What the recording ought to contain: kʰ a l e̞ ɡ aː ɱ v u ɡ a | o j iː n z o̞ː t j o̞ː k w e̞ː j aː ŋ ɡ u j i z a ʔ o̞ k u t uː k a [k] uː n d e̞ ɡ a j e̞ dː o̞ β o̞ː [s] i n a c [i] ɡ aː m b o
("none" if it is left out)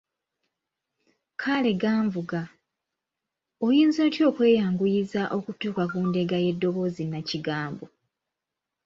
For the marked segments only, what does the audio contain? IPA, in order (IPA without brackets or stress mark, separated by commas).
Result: k, z, i